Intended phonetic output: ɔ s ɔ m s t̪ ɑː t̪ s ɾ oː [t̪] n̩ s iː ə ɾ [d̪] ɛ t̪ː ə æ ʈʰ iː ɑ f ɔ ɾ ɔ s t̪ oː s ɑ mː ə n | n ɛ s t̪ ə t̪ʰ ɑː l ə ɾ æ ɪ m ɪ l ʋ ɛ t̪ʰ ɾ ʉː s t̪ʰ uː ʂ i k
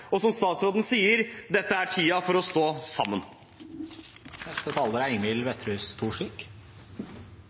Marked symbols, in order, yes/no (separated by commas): no, yes